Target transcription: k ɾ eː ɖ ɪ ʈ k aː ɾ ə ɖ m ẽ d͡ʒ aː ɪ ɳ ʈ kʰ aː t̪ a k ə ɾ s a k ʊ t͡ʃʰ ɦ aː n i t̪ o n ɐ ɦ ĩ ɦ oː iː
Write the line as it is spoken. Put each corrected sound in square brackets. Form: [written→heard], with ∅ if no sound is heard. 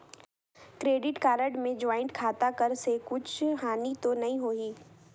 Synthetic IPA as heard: k ɾ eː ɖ ɪ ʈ k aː ɾ ə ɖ m ẽ d͡ʒ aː ɪ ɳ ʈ kʰ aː t̪ a k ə ɾ s [a→e] k ʊ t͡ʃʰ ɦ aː n i t̪ o n ɐ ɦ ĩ ɦ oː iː

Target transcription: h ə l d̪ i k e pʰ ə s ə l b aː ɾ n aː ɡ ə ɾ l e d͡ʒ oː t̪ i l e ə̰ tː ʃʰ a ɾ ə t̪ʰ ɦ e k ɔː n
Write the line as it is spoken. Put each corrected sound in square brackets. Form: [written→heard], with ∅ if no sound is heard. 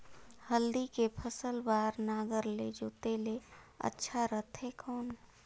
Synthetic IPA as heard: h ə l d̪ i k e pʰ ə s ə l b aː ɾ n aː ɡ ə ɾ l e d͡ʒ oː t̪ [i→e] l e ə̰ tː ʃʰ a ɾ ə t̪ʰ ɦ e k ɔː n

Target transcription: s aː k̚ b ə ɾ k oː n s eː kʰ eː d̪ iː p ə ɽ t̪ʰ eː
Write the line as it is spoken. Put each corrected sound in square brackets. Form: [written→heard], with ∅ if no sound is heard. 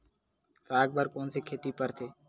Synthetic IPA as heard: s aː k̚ b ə ɾ k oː n s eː kʰ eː [d̪→t̪] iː p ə [ɽ→ɾ] t̪ʰ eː

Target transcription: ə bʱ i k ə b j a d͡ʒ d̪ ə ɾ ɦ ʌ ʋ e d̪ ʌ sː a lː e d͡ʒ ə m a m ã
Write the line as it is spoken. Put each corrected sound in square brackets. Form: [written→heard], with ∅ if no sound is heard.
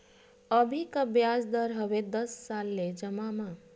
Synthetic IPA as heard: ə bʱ i k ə b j a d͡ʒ d̪ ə ɾ ɦ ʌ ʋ e d̪ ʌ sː a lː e d͡ʒ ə m a m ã

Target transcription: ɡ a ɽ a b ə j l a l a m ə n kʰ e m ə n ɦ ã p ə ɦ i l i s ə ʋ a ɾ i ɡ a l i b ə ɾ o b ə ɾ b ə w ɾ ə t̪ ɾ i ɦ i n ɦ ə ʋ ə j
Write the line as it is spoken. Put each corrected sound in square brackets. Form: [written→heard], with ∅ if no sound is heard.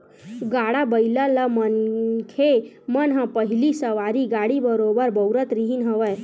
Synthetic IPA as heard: ɡ a ɽ a b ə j l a l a m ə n kʰ e m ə n ɦ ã p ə ɦ i l i s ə ʋ a ɾ i ɡ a [l→ɽ] i b ə ɾ o b ə ɾ b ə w ɾ ə t̪ ɾ i ɦ i n ɦ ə ʋ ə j

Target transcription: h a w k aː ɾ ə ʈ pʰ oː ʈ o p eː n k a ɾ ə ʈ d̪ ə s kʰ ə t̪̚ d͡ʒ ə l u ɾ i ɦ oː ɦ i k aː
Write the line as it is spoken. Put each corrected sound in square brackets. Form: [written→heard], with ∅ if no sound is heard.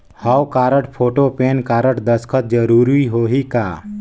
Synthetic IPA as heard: h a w k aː ɾ ə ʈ pʰ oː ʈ o p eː n k a ɾ ə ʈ d̪ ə s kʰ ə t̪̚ d͡ʒ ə [l→ɾ] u ɾ i ɦ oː ɦ i k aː

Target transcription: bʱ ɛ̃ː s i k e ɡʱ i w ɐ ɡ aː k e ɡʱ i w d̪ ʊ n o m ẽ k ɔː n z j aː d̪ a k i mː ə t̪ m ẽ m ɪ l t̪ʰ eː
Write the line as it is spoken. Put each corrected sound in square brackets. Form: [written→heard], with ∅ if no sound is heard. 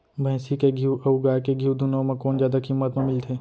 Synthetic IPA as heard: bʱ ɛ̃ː s i k e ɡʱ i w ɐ ɡ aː k e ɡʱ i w d̪ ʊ n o m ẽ k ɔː n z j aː d̪ a k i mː ə t̪ m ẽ m ɪ l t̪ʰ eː

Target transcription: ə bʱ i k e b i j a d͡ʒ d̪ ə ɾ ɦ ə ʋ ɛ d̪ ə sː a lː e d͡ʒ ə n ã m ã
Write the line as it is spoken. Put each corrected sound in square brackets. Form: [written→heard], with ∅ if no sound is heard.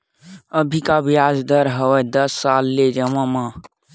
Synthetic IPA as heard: ə bʱ i k [e→a] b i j a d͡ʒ d̪ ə ɾ ɦ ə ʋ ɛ d̪ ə sː a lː e d͡ʒ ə [n→m] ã m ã

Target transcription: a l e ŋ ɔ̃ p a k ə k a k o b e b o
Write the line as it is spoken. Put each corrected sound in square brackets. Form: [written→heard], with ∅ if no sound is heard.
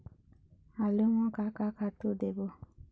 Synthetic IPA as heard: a l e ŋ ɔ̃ [p→k] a k [ə→a] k a [k→t] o [b→d] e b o

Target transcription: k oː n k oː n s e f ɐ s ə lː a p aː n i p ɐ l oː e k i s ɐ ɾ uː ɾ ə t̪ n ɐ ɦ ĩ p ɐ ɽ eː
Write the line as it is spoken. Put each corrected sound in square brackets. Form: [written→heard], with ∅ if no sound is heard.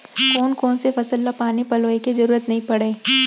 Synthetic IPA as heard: k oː n k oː n s e f ɐ s ə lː a p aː n i p ɐ l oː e k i [s→z] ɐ ɾ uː ɾ ə t̪ n ɐ ɦ ĩ p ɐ ɽ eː

